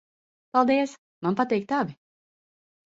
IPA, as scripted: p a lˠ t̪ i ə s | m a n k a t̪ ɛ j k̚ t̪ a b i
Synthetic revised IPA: p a lˠ d̪ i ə s | m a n p a t̪ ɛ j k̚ t̪ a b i